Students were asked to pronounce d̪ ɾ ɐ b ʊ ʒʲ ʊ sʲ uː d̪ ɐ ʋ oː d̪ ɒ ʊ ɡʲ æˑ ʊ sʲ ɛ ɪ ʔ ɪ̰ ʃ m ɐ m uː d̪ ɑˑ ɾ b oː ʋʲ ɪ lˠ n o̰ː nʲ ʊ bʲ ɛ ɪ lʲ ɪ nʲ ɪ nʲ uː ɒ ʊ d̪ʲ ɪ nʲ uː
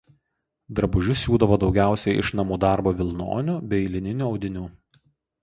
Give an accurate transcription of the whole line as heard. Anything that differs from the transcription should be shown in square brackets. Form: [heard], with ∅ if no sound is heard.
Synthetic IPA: d̪ ɾ ɐ b ʊ ʒʲ ʊ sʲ uː d̪ ɐ ʋ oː d̪ ɒ ʊ ɡʲ æˑ ʊ sʲ ɛ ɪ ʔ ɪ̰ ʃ [n] ɐ m uː d̪ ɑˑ ɾ b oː ʋʲ ɪ lˠ n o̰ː nʲ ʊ bʲ ɛ ɪ lʲ ɪ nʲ ɪ nʲ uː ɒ ʊ d̪ʲ ɪ nʲ uː